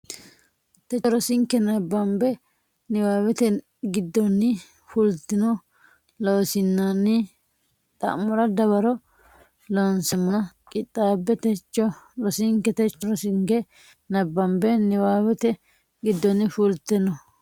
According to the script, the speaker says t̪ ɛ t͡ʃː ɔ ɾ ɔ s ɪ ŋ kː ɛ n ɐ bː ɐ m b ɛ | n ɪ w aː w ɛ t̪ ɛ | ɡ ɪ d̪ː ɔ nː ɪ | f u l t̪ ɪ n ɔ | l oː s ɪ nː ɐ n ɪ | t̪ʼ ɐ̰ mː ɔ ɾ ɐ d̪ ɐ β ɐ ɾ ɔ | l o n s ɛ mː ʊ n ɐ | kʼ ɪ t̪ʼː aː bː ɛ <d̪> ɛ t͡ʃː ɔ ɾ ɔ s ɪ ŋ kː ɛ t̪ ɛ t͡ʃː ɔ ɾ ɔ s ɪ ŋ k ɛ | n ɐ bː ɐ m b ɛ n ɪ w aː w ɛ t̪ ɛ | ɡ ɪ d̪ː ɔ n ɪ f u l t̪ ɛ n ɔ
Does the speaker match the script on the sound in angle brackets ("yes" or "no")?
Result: no